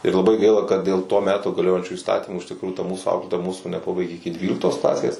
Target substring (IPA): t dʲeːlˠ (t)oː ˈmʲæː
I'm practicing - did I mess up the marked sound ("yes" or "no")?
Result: no